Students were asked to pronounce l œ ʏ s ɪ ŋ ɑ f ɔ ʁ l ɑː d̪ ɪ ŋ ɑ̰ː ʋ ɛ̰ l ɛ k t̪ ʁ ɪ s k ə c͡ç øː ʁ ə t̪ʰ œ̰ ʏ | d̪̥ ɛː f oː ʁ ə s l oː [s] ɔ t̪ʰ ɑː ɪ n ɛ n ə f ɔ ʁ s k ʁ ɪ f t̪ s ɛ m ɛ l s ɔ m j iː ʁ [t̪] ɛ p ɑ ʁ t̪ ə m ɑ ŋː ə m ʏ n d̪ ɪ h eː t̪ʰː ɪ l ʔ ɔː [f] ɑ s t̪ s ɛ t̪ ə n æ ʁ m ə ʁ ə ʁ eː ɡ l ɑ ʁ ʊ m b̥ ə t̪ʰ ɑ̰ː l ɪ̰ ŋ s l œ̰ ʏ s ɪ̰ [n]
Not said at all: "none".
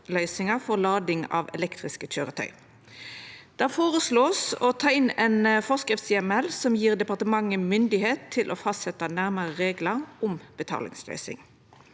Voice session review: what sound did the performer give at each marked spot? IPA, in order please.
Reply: s, d̪, f, ŋ

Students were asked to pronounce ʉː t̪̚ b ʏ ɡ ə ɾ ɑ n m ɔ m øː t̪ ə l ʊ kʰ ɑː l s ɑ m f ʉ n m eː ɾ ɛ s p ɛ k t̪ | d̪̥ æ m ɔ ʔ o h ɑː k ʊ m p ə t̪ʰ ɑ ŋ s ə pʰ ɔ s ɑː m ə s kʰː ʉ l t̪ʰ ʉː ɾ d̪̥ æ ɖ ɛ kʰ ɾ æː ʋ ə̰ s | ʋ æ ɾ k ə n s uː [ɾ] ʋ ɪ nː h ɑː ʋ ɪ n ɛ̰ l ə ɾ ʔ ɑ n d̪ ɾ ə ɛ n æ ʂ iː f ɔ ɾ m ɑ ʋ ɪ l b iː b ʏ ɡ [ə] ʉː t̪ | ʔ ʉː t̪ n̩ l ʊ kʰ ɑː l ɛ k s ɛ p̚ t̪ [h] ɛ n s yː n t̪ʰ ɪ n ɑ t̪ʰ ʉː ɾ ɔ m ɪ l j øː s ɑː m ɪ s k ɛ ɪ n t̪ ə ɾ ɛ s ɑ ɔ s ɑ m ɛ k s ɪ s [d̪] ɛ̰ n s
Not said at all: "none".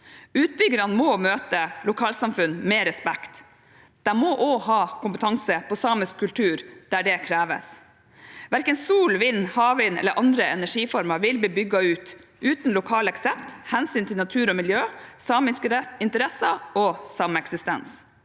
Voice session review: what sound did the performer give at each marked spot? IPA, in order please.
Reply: l, ɑ, h, t̪

